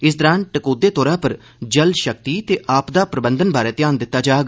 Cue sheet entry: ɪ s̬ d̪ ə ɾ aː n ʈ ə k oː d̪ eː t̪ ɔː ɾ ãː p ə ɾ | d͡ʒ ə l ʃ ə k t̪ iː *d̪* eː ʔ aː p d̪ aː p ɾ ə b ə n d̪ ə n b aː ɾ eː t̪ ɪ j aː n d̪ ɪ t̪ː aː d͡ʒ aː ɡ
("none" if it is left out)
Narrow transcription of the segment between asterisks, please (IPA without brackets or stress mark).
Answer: t̪